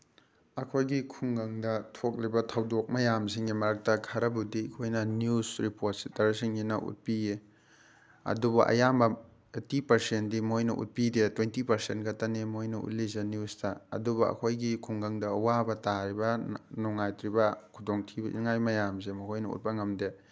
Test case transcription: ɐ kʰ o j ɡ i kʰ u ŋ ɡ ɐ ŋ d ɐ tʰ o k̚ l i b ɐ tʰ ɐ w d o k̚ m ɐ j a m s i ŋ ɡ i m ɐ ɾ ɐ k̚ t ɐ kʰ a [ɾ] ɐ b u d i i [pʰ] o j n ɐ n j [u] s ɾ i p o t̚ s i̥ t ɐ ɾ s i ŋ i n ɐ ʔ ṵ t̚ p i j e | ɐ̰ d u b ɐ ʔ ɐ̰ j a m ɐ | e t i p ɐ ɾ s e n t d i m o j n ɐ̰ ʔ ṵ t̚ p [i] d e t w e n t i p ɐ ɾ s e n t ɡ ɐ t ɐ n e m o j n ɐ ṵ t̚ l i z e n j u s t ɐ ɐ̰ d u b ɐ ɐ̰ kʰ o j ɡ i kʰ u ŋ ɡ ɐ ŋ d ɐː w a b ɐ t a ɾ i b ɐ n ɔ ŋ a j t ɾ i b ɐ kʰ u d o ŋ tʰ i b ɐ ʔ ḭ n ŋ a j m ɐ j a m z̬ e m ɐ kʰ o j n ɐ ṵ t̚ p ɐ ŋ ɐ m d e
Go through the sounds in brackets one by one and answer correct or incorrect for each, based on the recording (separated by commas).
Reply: correct, incorrect, correct, correct